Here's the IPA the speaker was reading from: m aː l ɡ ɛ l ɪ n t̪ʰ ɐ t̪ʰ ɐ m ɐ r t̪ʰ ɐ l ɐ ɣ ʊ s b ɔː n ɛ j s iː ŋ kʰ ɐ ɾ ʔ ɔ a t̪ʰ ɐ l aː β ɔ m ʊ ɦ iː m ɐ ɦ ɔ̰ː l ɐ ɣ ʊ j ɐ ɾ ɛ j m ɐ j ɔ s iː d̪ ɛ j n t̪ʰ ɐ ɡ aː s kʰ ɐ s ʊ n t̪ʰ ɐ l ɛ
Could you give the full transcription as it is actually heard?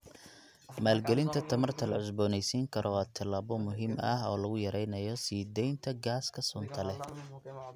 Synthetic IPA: m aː l ɡ ɛ l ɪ n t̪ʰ ɐ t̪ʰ ɐ m ɐ r t̪ʰ ɐ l ɐ ʕ ʊ s b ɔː n ɛ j s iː ŋ kʰ ɐ ɾ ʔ ɔ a t̪ʰ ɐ l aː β ɔ m ʊ ɦ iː m ɐ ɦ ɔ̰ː l ɐ ɣ ʊ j ɐ ɾ ɛ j n ɐ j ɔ s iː d̪ ɛ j n t̪ʰ ɐ ɡ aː s kʰ ɐ s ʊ n t̪ʰ ɐ l ɛ

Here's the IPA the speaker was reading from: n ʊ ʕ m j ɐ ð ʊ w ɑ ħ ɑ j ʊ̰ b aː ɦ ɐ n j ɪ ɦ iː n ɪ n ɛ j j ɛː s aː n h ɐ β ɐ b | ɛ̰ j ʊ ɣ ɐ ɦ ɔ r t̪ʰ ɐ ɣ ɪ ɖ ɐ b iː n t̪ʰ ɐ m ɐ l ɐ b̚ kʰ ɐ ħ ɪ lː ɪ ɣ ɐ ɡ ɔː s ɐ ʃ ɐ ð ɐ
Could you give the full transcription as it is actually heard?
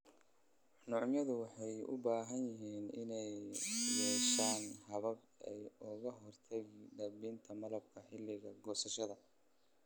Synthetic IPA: n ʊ ʕ m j ɐ ð ʊ w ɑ ħ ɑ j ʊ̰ b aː ɦ ɐ n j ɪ ɦ iː n ɪ n ɛ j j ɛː ʃ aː n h ɐ β ɐ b | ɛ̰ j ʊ ɣ ɐ ɦ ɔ r t̪ʰ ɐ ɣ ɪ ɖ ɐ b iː n t̪ʰ ɐ m ɐ l ɐ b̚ kʰ ɐ ħ ɪ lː ɪ ɣ ɐ ɡ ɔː s ɐ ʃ ɐ ð ɐ

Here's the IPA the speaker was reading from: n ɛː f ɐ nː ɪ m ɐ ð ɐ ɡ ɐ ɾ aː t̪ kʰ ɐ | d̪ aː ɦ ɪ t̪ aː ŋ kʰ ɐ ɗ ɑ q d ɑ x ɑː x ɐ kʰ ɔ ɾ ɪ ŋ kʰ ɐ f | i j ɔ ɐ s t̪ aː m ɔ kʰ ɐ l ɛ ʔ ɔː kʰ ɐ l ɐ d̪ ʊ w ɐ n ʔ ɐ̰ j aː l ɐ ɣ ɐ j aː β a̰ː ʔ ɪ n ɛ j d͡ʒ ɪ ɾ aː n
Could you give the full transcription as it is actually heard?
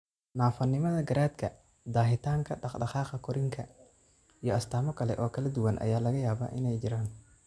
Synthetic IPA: n aː f ɐ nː ɪ m ɐ ð ɐ ɡ ɐ ɾ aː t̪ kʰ ɐ | d̪ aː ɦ ɪ t̪ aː ŋ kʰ ɐ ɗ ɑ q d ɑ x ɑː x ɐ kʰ ɔ ɾ ɪ ŋ kʰ ɐ | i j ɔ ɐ s t̪ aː m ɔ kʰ ɐ l ɛ ʔ ɔː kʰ ɐ l ɐ d̪ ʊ w ɐ n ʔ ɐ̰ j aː l ɐ ɣ ɐ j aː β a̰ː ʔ ɪ n ɛ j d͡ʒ ɪ ɾ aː n

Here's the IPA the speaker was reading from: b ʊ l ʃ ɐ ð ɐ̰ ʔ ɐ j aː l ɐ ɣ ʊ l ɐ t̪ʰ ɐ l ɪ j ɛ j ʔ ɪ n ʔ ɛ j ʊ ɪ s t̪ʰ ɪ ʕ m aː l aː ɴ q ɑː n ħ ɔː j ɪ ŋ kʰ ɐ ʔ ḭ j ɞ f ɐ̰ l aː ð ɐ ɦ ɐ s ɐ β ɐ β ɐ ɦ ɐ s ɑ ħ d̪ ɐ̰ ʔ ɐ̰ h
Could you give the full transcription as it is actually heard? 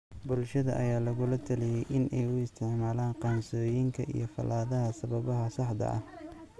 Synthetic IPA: b ʊ l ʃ ɐ ð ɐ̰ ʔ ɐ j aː l ɐ ɣ ʊ l ɐ t̪ʰ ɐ l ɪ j ɛ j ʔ ɪ n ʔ ɛ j ʊ ɪ s t̪ʰ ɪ ʕ m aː l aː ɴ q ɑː n s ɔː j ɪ ŋ kʰ ɐ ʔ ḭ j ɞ f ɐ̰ l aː ð ɐ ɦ ɐ s ɐ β ɐ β ɐ ɦ ɐ s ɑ ħ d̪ ɐ̰ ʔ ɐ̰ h

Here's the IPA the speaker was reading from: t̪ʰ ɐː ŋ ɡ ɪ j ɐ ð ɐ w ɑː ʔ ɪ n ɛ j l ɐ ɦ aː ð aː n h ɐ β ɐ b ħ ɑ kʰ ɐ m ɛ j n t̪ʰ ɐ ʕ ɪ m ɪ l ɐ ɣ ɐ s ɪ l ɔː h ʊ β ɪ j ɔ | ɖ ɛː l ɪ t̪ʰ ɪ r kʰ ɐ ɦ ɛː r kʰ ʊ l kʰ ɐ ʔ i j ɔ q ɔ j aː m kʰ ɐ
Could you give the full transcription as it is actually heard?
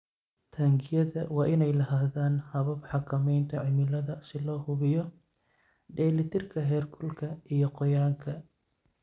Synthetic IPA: t̪ʰ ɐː ŋ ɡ ɪ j ɐ ð ɐ w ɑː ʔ ɪ n ɛ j l ɐ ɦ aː ð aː n h ɐ β ɐ b ħ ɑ kʰ ɐ m ɛ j n t̪ʰ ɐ ʕ ɪ m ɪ l ɐ ð ɐ s ɪ l ɔː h ʊ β ɪ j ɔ | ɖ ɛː l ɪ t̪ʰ ɪ r kʰ ɐ ɦ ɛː r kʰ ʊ l kʰ ɐ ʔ i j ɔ q ɔ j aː ŋ kʰ ɐ

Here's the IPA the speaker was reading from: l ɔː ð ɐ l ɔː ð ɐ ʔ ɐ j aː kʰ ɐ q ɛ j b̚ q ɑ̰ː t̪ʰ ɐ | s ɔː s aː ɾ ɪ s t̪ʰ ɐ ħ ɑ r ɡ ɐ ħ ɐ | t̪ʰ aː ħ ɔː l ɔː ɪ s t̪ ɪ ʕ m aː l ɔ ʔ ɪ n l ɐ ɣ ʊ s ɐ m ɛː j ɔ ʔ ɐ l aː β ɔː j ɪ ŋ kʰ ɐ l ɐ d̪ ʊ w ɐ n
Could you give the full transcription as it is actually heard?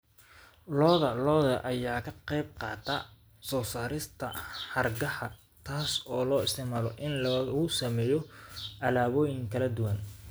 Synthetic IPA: l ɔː ð ɐ l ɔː ð ɐ ʔ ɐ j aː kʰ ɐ q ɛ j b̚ q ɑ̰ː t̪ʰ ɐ | s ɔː s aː ɾ ɪ s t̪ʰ ɐ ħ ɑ r ɡ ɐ ħ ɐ | t̪ʰ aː s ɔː l ɔː ɪ s t̪ ɪ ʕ m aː l ɔ ʔ ɪ n l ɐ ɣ ʊ s ɐ m ɛː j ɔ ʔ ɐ l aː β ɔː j ɪ ŋ kʰ ɐ l ɐ d̪ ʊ w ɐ n

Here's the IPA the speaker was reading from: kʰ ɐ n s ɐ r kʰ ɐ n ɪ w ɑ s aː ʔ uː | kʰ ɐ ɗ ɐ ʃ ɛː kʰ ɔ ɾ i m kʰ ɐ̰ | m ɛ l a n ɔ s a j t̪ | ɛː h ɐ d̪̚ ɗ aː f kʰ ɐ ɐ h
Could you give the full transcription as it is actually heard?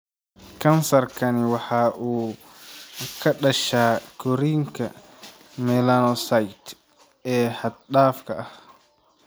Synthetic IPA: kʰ ɐ n s ɐ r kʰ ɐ n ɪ w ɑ ħ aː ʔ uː | kʰ ɐ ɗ ɐ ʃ aː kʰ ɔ ɾ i ŋ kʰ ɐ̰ | m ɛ l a n ɔ s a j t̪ | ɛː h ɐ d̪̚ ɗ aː f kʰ ɐ ɐ h

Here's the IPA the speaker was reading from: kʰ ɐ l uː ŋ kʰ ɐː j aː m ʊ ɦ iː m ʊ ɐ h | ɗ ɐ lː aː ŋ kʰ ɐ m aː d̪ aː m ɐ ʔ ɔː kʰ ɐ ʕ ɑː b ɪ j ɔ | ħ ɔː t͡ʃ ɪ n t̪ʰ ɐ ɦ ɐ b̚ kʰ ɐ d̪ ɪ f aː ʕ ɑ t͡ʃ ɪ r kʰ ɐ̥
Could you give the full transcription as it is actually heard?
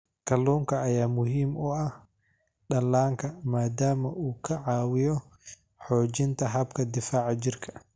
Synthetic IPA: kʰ ɐ l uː ŋ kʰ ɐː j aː m ʊ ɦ iː m ʊ ɐ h | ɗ ɐ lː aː ŋ kʰ ɐ m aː d̪ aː m ɐ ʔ uː kʰ ɐ ʕ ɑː w ɪ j ɔ | ħ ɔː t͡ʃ ɪ n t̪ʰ ɐ ɦ ɐ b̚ kʰ ɐ d̪ ɪ f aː ʕ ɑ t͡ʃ ɪ r kʰ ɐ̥

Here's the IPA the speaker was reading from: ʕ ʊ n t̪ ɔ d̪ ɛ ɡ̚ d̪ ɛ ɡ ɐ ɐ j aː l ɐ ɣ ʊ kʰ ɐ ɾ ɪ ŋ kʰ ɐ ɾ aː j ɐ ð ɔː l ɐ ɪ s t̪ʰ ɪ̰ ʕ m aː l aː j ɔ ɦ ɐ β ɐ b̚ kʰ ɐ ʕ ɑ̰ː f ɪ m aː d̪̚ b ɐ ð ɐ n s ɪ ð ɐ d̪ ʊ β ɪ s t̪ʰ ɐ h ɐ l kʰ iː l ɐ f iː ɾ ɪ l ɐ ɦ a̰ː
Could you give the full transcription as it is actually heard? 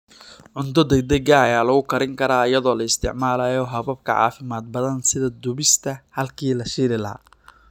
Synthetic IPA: ʕ ʊ n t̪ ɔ d̪ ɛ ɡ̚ d̪ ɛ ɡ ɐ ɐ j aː l ɐ ɣ ʊ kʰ ɐ ɾ ɪ ŋ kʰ ɐ ɾ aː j ɐ ð ɔː l ɐ ɪ s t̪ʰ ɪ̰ ʕ m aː l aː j ɔ ɦ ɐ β ɐ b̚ kʰ ɐ ʕ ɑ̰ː f ɪ m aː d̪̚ b ɐ ð ɐ n s ɪ ð ɐ d̪ ʊ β ɪ s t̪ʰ ɐ h ɐ l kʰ iː l ɐ ʃ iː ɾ ɪ l ɐ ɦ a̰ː

